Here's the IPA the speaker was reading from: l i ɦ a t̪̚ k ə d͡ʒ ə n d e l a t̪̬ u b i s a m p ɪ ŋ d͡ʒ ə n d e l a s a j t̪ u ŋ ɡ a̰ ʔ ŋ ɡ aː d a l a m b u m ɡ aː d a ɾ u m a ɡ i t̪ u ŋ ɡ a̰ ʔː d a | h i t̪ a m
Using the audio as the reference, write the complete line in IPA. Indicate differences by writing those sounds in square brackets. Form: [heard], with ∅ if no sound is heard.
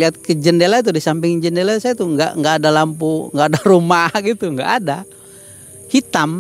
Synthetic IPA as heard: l i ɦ a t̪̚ k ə d͡ʒ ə n d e l a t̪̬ u [d] i s a m p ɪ ŋ d͡ʒ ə n d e l a s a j t̪ u ŋ ɡ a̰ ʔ ŋ ɡ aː d a l a m [p] u [ŋ] ɡ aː d a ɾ u m a ɡ i t̪ u ŋ ɡ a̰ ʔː d a | h i t̪ a m